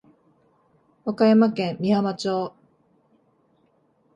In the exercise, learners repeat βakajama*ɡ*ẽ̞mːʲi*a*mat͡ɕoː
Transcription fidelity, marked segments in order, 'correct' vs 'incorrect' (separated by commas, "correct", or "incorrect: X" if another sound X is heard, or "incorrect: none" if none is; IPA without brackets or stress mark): incorrect: k, correct